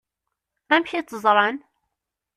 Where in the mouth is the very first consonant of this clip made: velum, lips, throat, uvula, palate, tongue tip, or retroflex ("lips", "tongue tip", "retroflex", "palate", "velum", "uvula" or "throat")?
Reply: lips